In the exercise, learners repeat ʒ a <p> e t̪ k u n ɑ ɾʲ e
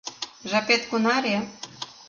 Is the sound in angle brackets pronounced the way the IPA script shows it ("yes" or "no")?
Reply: yes